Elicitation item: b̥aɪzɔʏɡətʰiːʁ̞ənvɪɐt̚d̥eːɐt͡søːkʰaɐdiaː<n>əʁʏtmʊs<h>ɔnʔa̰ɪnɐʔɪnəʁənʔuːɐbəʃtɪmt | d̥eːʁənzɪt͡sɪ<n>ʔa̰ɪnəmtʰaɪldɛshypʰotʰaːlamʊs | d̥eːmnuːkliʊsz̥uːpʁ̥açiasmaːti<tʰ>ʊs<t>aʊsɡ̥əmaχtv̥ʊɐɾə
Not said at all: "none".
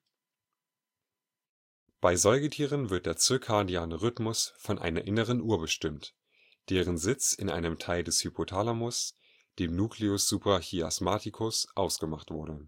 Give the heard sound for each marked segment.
n, f, n, kʰ, ʔ

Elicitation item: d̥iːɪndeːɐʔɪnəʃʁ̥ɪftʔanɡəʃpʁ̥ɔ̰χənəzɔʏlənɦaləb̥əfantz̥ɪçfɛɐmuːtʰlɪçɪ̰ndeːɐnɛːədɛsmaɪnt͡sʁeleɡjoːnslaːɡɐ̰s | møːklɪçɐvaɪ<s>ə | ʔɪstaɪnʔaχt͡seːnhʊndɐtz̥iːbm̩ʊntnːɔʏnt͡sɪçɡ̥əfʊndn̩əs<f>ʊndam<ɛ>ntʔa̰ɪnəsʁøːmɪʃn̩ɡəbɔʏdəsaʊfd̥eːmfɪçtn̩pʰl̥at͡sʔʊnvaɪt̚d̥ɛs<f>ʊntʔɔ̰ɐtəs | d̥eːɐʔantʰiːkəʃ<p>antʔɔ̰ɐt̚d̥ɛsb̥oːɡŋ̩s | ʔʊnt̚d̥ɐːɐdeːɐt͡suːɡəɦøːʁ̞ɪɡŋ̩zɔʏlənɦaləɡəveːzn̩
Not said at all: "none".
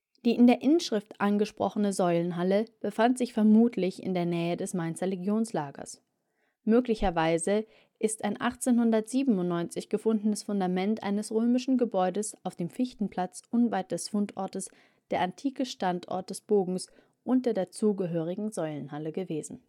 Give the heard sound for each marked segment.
z, f, ɛ, f, t

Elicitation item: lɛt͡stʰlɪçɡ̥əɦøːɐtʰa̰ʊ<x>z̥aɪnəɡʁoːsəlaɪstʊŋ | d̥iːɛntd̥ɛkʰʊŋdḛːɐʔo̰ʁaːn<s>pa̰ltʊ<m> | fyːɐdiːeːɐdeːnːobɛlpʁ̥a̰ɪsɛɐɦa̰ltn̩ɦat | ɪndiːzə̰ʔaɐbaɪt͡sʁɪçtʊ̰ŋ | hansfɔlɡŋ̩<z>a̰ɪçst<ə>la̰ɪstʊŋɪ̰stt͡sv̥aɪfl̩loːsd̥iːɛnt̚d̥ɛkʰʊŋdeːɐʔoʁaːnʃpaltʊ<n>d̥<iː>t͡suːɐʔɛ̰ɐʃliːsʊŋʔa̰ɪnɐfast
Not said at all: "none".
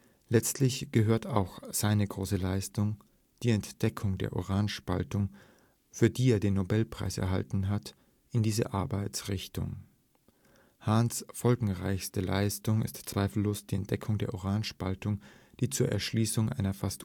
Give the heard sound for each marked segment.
x, ʃ, ŋ, ʁ, ə, ŋ, iː

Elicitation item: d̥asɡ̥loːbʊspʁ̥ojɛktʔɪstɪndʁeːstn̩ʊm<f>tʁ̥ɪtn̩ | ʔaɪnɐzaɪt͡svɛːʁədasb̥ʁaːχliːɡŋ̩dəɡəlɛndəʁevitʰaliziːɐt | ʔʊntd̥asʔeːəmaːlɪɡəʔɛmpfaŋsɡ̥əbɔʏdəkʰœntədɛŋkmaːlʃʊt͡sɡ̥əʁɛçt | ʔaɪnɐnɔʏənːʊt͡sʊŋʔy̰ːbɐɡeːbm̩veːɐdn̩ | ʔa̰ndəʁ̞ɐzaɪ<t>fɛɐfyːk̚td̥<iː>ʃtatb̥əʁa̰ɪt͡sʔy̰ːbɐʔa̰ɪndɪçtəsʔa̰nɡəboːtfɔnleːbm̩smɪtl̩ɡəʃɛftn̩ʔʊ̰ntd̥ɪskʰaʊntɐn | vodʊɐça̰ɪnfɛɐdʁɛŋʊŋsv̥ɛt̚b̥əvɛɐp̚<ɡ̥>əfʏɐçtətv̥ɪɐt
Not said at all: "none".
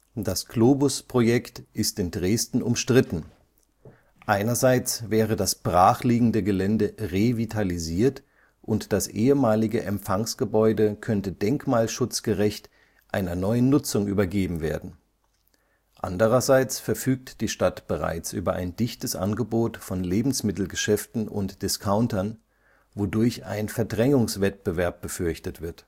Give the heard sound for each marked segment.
ʃ, t͡s, iː, b̥

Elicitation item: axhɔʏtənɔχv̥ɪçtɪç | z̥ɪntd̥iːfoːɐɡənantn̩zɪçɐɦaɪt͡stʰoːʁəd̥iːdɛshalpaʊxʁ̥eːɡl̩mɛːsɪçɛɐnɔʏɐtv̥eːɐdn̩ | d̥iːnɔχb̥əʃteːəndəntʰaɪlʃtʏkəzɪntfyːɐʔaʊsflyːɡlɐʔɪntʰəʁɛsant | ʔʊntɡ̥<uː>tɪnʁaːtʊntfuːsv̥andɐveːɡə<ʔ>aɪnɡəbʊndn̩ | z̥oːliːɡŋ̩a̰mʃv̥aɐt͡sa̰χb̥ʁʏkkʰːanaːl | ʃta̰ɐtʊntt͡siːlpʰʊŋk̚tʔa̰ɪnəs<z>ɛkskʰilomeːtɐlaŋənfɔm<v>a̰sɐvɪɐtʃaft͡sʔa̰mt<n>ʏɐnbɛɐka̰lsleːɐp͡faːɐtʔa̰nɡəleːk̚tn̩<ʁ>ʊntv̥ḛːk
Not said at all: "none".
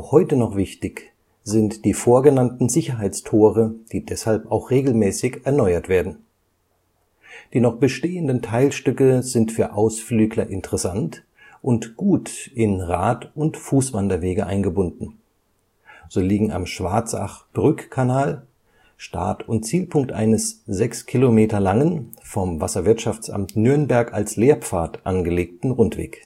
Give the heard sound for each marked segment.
uː, ʔ, z, v, n, ʁ

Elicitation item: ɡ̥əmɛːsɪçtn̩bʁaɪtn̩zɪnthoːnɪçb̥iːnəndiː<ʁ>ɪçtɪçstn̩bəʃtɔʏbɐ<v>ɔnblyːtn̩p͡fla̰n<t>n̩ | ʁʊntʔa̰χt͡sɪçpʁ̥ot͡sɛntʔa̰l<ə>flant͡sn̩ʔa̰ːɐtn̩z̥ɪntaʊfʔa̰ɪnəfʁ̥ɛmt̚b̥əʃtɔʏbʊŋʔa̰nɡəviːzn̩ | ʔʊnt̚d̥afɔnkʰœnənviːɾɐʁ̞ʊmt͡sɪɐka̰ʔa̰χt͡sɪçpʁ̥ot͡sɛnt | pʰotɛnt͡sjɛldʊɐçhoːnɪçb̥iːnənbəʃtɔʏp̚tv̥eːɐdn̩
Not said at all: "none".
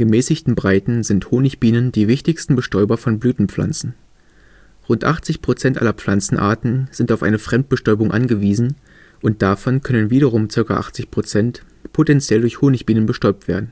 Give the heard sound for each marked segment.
v, f, t͡s, ɐ

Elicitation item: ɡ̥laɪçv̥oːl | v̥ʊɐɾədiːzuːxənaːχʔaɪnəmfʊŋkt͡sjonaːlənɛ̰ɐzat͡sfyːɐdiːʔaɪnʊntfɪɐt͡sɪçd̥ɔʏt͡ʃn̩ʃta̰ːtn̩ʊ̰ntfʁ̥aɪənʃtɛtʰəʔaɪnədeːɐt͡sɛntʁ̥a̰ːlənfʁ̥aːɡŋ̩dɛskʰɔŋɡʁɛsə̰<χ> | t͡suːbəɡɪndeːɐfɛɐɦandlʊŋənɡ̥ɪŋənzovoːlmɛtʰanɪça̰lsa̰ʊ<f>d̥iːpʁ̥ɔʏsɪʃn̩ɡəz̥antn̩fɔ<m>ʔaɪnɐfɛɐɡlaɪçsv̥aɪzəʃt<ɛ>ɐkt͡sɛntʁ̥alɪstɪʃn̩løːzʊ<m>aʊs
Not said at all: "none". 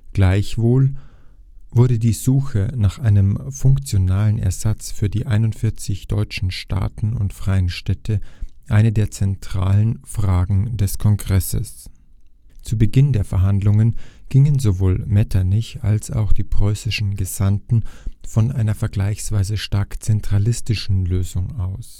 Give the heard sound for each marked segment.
s, x, n, a, ŋ

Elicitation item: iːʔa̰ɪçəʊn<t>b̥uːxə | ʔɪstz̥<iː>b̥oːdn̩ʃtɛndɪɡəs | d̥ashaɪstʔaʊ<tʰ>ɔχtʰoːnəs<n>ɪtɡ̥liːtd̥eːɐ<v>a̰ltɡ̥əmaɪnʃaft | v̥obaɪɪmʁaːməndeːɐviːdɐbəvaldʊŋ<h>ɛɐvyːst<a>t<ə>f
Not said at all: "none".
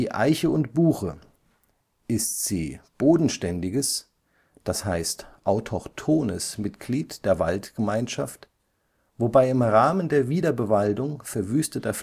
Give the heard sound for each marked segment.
t, iː, tʰ, m, v, f, ə, ɐ

